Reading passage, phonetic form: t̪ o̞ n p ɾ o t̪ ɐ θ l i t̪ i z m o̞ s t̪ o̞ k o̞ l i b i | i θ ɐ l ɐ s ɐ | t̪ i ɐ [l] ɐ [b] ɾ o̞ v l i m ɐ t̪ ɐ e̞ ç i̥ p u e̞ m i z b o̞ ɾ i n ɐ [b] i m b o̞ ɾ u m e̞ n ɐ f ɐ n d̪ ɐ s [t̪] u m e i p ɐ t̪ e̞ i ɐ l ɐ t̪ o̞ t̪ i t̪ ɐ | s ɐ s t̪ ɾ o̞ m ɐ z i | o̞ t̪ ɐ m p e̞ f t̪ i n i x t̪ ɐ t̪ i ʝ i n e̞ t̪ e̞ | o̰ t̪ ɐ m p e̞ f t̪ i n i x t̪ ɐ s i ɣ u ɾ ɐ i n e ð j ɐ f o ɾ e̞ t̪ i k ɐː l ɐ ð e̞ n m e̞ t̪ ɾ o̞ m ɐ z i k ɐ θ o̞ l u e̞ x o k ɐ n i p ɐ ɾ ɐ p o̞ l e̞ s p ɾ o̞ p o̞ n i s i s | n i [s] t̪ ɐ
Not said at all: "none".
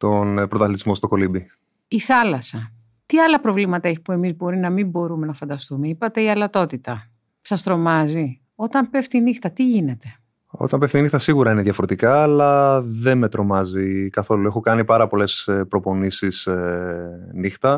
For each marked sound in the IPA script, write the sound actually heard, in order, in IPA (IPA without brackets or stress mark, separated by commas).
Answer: l, p, m, t̪, x